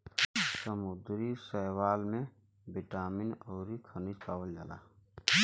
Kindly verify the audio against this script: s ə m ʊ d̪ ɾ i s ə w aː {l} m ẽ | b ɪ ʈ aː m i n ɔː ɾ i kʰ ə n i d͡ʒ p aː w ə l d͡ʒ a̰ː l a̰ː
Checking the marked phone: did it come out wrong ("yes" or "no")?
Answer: no